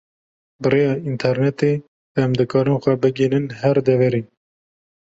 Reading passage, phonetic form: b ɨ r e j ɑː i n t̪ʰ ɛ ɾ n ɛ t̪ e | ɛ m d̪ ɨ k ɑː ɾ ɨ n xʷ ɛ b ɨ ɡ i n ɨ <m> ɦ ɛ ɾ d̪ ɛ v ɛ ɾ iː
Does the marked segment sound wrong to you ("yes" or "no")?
yes